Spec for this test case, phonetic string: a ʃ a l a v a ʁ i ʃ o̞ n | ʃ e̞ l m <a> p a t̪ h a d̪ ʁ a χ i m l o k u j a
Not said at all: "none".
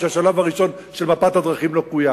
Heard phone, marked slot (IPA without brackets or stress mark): a